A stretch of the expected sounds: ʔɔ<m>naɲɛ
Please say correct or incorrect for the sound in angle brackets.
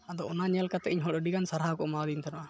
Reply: incorrect